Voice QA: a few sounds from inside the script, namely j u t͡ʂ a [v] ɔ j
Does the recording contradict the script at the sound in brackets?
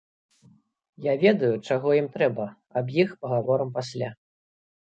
yes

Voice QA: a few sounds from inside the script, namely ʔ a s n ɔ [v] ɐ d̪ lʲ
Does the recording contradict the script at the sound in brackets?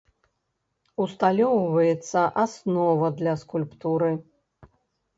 no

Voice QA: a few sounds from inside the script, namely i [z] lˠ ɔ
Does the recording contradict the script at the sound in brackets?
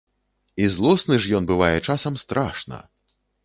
no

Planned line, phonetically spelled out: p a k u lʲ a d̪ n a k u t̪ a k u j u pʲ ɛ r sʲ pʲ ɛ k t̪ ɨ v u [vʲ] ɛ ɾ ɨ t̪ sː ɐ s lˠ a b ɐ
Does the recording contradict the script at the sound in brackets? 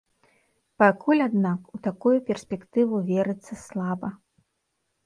no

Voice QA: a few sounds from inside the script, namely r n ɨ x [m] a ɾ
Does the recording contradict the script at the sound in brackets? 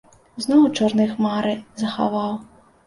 no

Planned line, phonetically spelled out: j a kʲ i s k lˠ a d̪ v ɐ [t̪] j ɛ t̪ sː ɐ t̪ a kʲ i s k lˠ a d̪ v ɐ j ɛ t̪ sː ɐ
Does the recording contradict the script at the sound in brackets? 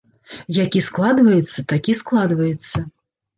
yes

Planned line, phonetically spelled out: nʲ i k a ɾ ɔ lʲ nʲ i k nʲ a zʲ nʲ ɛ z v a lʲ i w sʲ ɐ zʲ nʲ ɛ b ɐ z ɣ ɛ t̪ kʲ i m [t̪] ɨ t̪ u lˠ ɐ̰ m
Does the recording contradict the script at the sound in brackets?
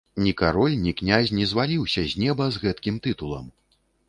no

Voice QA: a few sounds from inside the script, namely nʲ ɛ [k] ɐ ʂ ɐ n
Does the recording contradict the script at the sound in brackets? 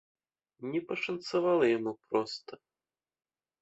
yes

